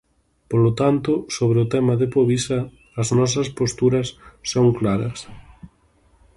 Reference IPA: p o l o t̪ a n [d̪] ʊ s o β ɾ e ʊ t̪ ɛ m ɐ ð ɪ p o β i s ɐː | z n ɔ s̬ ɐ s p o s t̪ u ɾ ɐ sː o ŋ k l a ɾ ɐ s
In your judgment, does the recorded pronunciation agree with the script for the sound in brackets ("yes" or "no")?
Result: no